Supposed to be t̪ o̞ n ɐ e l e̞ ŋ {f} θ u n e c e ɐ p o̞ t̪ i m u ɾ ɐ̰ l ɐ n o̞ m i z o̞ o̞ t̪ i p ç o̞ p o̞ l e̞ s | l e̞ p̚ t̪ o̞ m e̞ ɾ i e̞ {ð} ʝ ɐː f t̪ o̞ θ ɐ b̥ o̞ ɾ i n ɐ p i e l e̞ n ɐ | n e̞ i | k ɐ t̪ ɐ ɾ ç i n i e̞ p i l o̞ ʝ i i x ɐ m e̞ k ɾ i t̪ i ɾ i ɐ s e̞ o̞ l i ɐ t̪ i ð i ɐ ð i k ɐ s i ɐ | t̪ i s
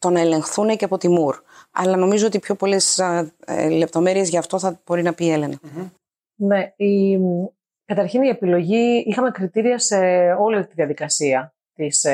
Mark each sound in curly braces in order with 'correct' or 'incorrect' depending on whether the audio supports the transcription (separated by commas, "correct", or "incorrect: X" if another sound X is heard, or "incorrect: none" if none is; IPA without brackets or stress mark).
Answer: incorrect: x, incorrect: z